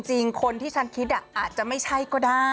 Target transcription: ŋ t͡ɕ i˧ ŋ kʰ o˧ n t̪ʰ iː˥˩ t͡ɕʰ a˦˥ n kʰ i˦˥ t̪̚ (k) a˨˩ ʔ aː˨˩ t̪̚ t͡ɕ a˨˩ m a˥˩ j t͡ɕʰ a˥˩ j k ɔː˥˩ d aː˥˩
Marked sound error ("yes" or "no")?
yes